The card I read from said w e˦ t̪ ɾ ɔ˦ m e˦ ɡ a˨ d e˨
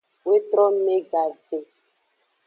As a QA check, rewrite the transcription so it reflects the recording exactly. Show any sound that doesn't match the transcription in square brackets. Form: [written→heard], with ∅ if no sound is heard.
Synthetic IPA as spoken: w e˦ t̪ ɾ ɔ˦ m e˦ ɡ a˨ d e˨